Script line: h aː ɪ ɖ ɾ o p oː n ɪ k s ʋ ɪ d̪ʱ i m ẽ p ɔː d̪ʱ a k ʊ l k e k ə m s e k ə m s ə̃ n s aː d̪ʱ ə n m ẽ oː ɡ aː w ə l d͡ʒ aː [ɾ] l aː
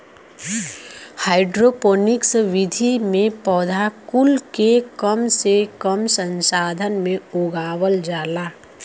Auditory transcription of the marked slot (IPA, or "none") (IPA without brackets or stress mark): none